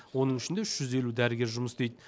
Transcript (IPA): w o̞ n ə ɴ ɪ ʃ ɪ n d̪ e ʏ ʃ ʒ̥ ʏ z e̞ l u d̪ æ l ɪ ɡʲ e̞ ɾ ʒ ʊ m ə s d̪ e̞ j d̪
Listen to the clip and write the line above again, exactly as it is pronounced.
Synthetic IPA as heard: w o̞ n ə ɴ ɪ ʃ ɪ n d̪ e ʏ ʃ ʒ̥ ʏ z e̞ l u d̪ æ ɾ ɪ ɡʲ e̞ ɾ ʒ ʊ m ə s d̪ e̞ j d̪